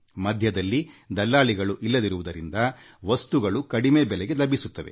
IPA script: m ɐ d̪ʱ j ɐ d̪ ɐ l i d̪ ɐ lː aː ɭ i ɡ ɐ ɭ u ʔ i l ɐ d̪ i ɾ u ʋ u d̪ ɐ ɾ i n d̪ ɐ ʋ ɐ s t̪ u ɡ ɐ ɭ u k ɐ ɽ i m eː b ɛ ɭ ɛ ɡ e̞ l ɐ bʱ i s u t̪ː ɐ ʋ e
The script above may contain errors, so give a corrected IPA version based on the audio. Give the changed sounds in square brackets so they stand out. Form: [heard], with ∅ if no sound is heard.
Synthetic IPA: m ɐ d̪ʱ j ɐ d̪ ɐ [lː] i d̪ ɐ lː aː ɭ i ɡ ɐ ɭ u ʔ i [lː] ɐ d̪ i ɾ u ʋ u d̪ ɐ ɾ i n d̪ ɐ ʋ ɐ s t̪ u ɡ ɐ ɭ u k ɐ ɽ i m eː b ɛ [l] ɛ ɡ e̞ l ɐ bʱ i s u t̪ː ɐ ʋ e